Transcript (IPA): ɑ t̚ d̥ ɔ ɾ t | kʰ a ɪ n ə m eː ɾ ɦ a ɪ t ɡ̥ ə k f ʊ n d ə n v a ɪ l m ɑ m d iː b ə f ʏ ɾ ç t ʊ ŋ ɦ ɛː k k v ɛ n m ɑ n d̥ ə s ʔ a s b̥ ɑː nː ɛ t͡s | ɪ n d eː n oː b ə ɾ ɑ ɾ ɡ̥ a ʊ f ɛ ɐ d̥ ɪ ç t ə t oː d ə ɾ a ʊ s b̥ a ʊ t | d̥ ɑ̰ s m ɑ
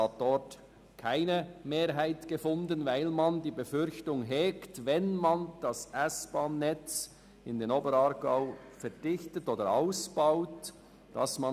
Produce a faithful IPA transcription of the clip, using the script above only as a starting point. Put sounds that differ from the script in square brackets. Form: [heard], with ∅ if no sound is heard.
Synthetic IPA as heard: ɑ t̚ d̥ ɔ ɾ t | kʰ a ɪ n ə m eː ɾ ɦ a ɪ t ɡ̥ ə [∅] f ʊ n d ə n v a ɪ l m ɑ [n] d iː b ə f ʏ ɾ ç t ʊ ŋ ɦ ɛː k [t] v ɛ n m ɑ n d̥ [ɑ] s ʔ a s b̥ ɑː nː ɛ t͡s | ɪ n d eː n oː b ə ɾ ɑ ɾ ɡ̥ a ʊ f ɛ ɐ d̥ ɪ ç t ə t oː d ə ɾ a ʊ s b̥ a ʊ t | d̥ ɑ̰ s m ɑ